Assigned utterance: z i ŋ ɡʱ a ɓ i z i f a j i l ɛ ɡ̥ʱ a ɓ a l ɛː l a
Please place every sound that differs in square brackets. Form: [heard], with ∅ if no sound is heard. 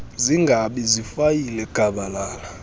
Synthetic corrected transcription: z i ŋ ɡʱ a ɓ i z i f a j i l ɛ ɡ̥ʱ a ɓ a l [aː] l a